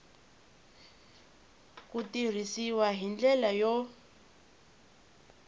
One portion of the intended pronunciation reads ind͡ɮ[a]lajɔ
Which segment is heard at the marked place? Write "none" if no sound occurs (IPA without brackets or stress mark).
ɛ